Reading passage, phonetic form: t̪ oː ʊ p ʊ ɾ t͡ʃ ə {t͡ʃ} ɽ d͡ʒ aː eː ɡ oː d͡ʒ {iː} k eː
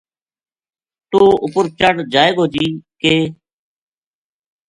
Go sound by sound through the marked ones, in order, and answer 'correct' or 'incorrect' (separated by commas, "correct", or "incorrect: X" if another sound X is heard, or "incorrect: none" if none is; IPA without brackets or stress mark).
incorrect: none, correct